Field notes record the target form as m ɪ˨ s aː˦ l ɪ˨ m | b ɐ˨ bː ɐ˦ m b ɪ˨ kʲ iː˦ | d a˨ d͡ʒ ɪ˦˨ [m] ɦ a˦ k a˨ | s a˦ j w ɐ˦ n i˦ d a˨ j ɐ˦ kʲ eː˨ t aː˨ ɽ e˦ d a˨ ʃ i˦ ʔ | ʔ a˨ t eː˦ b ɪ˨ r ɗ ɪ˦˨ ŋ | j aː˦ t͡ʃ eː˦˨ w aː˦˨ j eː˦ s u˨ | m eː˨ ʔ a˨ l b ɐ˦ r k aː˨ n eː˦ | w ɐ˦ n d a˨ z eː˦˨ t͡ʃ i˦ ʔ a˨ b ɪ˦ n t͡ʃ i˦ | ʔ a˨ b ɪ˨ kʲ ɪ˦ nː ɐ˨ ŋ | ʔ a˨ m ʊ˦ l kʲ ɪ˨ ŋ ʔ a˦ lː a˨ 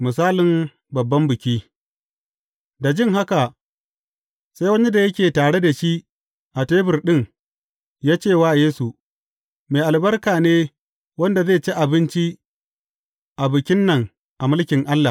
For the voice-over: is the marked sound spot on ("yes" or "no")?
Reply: no